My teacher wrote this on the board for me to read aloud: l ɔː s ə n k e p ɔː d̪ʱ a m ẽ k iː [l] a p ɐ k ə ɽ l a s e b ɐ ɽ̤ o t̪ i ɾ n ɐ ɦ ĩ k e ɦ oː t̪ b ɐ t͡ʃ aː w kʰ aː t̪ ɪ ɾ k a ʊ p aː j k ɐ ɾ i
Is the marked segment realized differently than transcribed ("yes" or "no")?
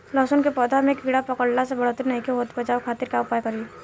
yes